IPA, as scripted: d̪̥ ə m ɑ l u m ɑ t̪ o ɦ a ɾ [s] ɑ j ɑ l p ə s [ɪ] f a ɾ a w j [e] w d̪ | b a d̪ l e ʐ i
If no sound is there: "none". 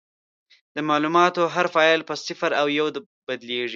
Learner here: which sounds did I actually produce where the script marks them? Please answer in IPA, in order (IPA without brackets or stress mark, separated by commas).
f, ɪ, a